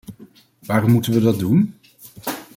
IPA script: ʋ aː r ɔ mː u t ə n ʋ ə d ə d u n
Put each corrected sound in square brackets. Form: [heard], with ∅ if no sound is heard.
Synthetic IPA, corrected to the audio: ʋ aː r ɔ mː u t ə n ʋ ə d [ɑ] d u n